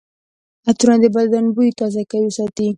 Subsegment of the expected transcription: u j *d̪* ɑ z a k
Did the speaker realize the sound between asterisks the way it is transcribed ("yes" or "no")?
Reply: no